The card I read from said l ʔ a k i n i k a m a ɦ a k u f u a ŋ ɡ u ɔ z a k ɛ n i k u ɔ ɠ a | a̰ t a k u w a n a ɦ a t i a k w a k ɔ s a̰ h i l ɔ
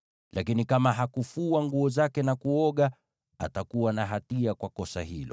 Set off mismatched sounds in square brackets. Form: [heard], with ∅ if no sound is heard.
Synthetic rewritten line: l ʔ a k i n i k a m a ɦ a k u f u a ŋ ɡ u ɔ z a k ɛ n [a] k u ɔ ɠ a | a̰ t a k u w a n a ɦ a t i a k w a k ɔ s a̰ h i l ɔ